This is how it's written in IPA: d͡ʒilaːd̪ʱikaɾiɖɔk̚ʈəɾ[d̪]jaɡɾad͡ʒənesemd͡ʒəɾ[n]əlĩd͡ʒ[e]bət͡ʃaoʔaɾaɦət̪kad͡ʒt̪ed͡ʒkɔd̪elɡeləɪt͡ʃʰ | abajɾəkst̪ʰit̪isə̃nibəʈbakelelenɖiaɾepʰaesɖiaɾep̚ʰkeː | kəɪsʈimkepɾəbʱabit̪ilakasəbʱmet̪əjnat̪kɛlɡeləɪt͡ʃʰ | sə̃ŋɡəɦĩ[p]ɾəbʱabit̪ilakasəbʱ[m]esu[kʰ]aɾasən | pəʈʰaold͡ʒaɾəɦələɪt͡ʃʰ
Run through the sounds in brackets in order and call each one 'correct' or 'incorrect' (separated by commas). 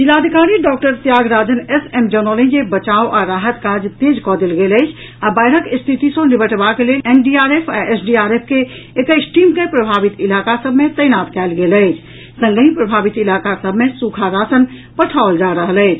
incorrect, correct, correct, correct, correct, correct